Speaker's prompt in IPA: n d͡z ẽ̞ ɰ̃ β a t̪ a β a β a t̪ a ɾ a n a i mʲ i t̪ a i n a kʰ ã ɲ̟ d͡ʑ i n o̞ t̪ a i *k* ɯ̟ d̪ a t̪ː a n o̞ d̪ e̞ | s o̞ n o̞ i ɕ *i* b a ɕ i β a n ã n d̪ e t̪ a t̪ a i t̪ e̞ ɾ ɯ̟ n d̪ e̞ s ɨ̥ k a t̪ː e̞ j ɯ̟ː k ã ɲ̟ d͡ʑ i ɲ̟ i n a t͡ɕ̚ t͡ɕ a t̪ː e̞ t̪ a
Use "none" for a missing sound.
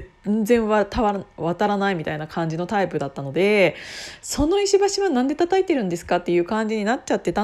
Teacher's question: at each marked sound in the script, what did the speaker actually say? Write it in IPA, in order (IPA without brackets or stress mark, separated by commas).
p, i